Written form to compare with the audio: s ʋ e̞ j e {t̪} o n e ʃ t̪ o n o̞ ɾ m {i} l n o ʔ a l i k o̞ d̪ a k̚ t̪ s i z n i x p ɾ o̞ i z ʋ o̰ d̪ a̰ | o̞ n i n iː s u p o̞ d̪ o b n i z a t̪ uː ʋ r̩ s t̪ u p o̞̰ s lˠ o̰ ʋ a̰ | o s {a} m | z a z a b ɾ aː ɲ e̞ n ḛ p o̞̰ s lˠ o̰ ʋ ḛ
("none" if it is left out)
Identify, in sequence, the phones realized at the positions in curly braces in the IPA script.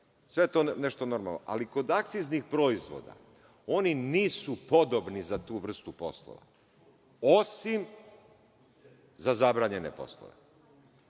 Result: t̪, a, i

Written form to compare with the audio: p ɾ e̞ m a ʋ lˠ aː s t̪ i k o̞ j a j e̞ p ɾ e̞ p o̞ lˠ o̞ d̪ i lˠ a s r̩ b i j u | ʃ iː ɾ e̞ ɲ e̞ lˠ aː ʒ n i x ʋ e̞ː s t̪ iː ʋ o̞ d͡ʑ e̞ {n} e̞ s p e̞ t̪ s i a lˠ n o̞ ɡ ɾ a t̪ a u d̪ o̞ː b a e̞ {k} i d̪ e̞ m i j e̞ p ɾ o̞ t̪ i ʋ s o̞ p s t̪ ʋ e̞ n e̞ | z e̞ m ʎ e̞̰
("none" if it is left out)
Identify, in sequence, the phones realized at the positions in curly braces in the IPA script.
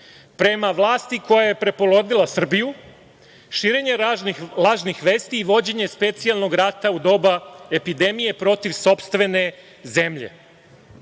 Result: ɲ, p

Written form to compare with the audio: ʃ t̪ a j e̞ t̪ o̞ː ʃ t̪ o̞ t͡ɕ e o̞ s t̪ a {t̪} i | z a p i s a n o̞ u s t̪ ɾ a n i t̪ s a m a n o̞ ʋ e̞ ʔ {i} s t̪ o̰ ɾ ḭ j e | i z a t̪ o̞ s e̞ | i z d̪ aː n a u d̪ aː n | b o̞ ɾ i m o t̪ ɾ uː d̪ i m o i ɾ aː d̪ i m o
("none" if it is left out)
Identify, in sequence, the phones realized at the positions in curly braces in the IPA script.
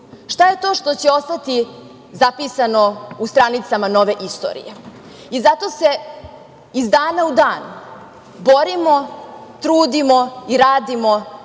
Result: t̪, i

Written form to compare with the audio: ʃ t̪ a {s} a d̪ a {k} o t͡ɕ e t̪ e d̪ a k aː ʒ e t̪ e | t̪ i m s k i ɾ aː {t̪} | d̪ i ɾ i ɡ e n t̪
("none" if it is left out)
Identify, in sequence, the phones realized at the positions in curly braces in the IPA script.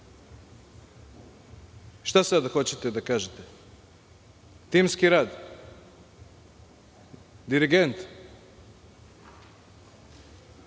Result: s, x, d̪

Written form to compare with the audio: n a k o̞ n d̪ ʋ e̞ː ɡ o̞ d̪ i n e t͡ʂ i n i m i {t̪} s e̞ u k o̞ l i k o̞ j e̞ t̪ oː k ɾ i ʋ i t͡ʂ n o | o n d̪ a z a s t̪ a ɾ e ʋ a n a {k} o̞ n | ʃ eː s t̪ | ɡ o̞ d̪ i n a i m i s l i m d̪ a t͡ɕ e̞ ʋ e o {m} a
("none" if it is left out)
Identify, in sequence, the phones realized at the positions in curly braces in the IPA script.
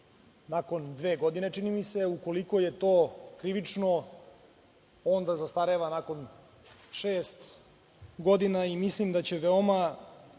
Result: none, k, m

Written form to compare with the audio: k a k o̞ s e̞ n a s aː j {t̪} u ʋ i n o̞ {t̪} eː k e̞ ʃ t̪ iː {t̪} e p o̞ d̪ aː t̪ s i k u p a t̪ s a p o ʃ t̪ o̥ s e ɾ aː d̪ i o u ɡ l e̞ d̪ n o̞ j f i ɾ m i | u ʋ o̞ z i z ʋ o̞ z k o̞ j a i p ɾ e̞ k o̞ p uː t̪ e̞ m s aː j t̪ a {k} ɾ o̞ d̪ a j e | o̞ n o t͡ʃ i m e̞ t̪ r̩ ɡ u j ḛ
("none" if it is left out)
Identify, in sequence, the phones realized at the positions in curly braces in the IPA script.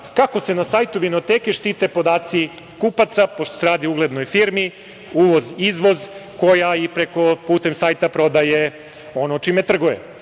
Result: t̪, t̪, t̪, p

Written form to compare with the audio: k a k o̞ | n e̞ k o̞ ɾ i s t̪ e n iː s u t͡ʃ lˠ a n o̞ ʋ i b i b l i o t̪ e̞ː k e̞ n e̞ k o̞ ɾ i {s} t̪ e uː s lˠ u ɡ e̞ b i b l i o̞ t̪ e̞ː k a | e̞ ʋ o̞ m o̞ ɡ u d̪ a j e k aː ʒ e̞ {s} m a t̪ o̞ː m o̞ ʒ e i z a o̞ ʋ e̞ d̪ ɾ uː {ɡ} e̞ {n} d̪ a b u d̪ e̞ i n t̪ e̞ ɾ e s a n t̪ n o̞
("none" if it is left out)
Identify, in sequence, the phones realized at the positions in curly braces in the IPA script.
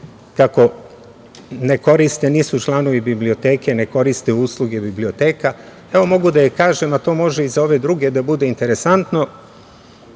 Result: s, none, ɡ, none

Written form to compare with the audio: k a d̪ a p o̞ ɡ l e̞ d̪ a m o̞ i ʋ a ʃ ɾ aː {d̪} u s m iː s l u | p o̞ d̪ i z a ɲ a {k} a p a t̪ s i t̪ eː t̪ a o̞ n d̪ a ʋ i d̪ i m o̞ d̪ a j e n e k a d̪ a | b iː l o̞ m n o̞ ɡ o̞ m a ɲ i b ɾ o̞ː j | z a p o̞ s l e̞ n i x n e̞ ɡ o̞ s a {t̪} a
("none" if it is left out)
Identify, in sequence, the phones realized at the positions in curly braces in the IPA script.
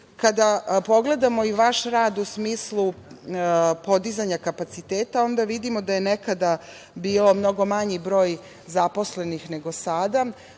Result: d̪, k, d̪

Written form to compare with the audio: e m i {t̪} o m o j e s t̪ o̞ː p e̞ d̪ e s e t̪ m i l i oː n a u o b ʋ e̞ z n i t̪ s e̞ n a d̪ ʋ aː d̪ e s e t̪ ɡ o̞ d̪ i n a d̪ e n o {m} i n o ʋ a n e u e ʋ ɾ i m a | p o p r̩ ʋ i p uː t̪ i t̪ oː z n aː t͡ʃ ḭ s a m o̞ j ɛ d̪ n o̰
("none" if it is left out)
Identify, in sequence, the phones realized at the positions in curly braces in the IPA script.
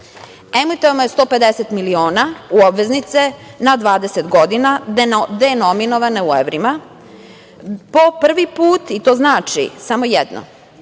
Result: t̪, m

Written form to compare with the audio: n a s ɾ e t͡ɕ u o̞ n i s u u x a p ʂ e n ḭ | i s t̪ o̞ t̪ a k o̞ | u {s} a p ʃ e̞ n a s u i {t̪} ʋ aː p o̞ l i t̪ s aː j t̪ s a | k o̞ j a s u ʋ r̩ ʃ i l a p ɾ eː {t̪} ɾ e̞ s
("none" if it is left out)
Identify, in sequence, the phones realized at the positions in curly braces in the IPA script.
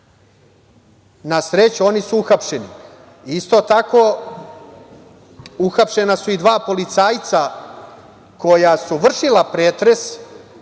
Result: x, d̪, t̪

